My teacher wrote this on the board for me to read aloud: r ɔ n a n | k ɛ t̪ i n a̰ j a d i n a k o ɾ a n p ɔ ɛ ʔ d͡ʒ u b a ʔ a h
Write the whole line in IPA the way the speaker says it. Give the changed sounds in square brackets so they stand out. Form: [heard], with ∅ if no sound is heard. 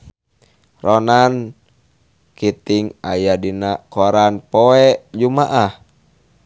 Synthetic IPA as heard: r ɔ n a n | k [i] t̪ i [ŋ] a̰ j a d i n a k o ɾ a n p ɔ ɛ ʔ d͡ʒ u [m] a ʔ a h